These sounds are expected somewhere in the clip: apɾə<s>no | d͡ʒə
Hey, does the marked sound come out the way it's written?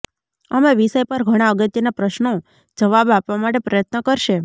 no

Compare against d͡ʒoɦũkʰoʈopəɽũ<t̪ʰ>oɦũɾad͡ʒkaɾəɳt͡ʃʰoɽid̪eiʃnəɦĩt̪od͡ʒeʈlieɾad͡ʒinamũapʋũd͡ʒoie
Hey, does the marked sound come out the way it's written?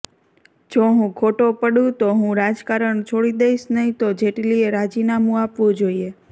no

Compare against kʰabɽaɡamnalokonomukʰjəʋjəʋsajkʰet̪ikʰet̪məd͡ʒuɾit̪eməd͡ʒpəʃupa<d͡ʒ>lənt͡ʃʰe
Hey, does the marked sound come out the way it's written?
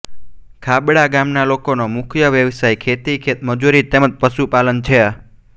no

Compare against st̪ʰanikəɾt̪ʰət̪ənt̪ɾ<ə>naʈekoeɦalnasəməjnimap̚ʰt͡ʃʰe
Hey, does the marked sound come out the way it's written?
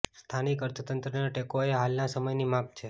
yes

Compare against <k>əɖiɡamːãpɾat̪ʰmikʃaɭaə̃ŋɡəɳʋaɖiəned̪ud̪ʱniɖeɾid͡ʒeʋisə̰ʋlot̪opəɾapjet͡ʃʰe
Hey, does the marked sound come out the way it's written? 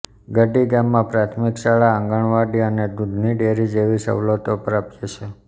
no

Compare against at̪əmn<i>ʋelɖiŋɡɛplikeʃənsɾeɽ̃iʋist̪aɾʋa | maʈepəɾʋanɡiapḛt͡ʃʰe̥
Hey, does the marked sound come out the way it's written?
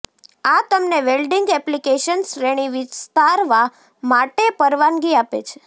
no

